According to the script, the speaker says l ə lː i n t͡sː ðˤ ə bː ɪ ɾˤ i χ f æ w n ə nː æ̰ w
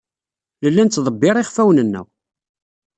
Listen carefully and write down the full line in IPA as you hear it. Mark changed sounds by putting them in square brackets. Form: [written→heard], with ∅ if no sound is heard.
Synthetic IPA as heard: l ə lː [i→æ] n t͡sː ðˤ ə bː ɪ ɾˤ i χ f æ w n ə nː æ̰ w